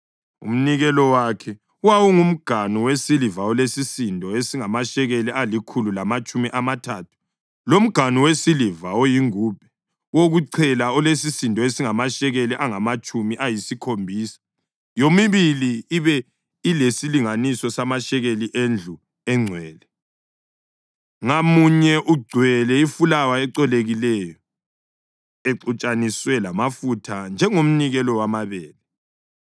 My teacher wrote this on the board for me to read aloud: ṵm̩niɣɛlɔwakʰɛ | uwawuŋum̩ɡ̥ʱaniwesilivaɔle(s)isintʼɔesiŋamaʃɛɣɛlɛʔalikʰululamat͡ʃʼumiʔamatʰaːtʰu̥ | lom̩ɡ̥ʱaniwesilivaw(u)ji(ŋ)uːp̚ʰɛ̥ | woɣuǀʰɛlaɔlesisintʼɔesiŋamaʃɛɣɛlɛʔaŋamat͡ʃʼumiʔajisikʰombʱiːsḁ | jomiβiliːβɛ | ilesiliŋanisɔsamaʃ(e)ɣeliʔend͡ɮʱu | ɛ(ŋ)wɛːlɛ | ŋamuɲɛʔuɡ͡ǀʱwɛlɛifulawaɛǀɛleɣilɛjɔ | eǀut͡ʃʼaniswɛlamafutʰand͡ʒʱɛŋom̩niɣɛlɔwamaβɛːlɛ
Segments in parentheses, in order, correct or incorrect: correct, incorrect: o, correct, incorrect: ɛ, incorrect: ŋ͡ǀʱ

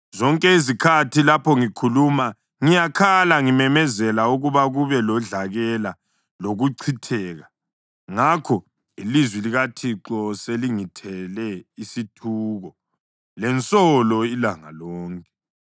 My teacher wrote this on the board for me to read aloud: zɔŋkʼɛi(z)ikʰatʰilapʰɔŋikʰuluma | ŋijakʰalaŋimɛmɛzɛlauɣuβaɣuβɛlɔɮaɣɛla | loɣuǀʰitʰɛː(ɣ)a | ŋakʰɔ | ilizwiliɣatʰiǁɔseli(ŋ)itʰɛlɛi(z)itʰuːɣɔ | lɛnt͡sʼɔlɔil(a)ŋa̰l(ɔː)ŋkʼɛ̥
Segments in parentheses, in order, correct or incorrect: correct, correct, correct, incorrect: s, correct, correct

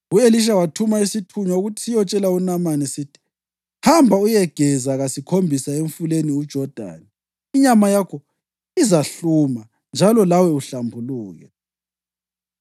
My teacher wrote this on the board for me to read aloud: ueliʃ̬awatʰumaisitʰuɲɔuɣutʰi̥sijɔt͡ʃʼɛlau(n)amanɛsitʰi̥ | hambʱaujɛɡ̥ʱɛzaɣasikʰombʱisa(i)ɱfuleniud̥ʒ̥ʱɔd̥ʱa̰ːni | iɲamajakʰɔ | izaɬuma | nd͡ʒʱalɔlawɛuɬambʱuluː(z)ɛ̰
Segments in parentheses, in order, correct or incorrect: correct, incorrect: e, incorrect: ɣ

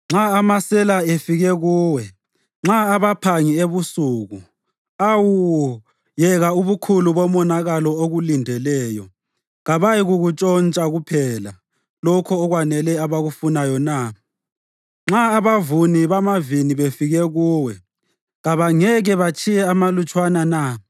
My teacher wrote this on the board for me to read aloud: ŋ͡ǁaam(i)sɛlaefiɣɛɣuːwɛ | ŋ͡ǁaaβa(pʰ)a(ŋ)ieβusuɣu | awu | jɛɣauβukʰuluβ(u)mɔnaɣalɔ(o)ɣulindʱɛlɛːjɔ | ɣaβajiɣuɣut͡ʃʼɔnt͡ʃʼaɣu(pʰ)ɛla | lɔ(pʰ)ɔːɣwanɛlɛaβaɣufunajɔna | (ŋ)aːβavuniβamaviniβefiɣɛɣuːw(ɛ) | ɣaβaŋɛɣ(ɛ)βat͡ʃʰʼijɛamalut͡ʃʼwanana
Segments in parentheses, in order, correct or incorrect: incorrect: a, correct, correct, incorrect: ɔ, correct, correct, incorrect: kʰ, incorrect: ŋ͡ǁ, correct, correct

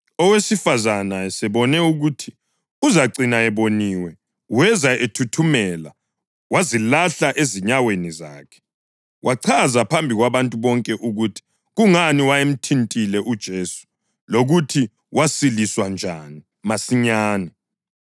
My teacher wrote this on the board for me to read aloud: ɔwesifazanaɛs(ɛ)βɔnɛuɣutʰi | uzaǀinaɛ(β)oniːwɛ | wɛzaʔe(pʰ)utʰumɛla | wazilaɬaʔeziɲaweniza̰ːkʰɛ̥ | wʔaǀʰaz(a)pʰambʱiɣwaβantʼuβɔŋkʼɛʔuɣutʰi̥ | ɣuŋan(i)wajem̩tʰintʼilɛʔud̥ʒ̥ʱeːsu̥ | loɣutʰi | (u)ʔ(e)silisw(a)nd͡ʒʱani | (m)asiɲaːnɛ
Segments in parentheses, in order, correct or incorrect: correct, correct, incorrect: tʰ, correct, correct, incorrect: w, incorrect: a, correct, correct

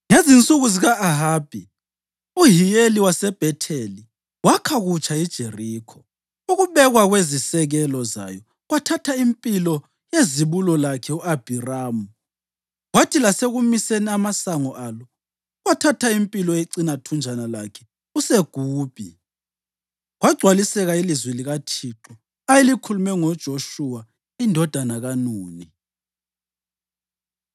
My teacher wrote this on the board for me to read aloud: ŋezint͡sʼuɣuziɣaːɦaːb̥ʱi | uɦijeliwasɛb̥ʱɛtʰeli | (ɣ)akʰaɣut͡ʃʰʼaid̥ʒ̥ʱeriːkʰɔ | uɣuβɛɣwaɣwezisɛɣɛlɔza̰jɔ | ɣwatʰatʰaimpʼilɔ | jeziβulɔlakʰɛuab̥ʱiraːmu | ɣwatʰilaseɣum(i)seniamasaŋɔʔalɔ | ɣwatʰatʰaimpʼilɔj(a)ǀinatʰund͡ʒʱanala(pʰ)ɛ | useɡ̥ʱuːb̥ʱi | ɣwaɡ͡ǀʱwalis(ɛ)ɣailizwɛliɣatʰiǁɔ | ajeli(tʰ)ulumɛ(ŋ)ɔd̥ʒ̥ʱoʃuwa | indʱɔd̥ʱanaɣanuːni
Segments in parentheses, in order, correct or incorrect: incorrect: w, correct, incorrect: e, incorrect: kʰ, correct, incorrect: kʰ, correct

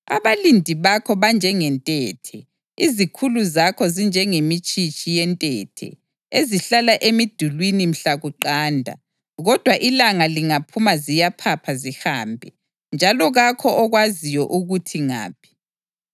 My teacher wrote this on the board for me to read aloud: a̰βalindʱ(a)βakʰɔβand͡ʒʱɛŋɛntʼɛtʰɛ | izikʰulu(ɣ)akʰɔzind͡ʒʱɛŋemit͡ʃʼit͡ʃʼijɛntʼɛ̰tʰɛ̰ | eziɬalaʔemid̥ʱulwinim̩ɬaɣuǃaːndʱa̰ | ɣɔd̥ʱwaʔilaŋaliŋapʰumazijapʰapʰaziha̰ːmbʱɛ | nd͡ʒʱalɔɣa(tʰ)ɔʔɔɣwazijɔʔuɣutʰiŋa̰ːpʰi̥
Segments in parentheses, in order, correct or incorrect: incorrect: i, incorrect: z, incorrect: kʰ

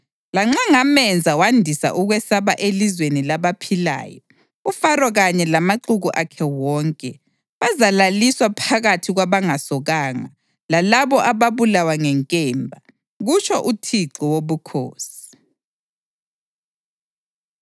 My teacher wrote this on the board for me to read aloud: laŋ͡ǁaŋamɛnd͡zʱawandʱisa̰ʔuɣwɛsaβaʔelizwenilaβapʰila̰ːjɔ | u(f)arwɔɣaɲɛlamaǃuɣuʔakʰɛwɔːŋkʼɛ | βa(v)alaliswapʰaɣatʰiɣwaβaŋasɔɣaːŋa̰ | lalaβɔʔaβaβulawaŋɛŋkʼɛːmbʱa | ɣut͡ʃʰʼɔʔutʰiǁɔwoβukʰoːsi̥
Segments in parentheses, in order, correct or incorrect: correct, incorrect: z

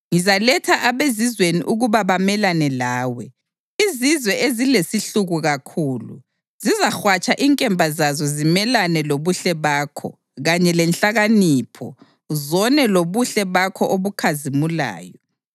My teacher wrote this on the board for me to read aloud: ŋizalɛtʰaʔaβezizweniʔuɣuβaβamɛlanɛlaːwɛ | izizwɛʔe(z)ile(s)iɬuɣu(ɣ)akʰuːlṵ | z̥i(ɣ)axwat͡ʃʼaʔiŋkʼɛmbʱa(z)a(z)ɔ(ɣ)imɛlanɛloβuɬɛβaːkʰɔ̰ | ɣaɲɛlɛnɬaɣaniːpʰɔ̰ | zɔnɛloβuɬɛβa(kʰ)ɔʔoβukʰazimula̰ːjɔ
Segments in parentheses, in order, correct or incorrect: correct, correct, correct, incorrect: z, correct, correct, incorrect: z, correct

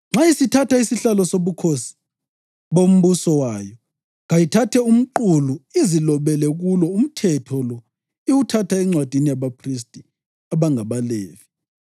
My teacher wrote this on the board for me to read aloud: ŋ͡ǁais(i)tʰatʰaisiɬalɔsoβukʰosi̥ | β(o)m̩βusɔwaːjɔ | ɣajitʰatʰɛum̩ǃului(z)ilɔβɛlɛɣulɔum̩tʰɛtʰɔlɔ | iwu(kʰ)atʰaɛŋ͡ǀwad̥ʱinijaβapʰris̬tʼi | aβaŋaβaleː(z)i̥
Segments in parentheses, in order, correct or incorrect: correct, correct, correct, incorrect: tʰ, incorrect: v

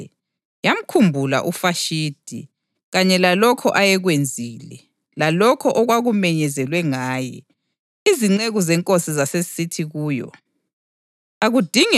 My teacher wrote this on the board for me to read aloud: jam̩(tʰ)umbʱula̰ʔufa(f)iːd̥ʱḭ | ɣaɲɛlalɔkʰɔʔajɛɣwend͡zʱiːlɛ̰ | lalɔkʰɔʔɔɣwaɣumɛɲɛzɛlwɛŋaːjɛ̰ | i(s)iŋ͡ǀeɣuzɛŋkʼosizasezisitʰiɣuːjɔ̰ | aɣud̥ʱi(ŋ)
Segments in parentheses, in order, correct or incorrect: incorrect: kʰ, incorrect: ʃ, incorrect: z, correct

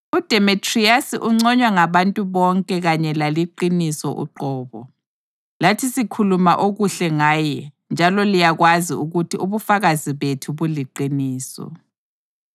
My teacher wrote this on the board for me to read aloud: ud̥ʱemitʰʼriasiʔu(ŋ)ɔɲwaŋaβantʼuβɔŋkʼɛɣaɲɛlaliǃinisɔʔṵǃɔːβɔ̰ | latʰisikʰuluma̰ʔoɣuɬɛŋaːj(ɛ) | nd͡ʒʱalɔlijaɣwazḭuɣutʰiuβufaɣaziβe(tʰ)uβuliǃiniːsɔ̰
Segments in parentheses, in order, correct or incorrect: incorrect: ŋ͡ǀ, correct, correct

